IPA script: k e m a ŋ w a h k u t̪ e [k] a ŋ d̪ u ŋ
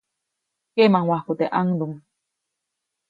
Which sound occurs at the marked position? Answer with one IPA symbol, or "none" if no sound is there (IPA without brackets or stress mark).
ʔ